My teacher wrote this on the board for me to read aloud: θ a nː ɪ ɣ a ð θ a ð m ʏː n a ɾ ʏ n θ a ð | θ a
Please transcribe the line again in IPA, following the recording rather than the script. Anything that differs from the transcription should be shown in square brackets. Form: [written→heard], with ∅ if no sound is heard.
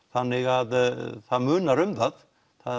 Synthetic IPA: θ a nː ɪ ɣ a ð θ a ð m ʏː n a ɾ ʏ [n→m] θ a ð | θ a